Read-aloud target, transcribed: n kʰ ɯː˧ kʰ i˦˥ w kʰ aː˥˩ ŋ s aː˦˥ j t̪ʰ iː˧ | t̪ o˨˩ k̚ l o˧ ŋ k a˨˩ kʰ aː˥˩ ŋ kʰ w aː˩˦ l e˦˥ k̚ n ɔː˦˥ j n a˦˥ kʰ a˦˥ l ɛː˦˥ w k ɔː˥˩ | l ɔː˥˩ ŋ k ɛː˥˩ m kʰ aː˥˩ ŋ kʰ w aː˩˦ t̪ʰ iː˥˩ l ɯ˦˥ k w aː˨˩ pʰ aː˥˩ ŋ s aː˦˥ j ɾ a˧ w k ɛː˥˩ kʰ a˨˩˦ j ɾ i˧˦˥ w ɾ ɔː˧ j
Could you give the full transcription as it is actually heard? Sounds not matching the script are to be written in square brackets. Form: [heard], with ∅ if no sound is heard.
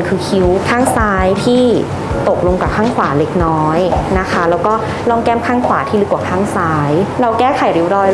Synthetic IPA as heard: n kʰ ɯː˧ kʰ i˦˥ w kʰ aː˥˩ ŋ s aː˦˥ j t̪ʰ [iː˥˩] | t̪ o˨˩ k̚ l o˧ ŋ k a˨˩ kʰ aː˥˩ ŋ kʰ w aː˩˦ l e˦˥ k̚ n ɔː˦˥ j n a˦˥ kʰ a˦˥ l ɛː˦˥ w k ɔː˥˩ | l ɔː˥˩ ŋ k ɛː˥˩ m kʰ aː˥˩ ŋ kʰ w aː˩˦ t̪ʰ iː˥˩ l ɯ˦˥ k w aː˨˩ [kʰ] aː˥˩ ŋ s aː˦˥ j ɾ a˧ w k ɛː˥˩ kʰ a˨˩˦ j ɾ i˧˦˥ w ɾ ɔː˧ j